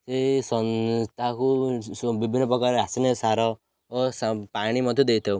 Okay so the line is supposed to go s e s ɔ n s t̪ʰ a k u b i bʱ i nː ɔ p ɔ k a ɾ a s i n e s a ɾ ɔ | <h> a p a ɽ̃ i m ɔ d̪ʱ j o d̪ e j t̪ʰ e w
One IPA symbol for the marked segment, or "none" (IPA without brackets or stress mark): s